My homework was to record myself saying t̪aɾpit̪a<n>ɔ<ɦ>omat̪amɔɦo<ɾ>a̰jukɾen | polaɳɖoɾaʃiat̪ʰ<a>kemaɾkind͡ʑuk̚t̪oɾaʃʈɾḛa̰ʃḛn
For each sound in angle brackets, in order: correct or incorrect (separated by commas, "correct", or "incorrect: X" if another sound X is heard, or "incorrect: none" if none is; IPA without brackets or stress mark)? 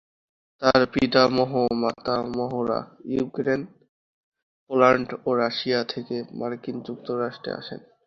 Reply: incorrect: m, correct, correct, incorrect: e